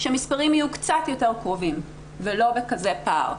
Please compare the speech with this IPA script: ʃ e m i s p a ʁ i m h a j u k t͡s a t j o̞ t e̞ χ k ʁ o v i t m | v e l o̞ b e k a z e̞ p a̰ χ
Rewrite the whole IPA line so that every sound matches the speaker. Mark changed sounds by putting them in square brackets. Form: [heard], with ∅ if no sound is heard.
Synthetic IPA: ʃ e m i s p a ʁ i m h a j u k t͡s a t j o̞ t e̞ [ʁ] k ʁ o v i [∅] m | v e l o̞ b e k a z e̞ p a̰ [ʁ]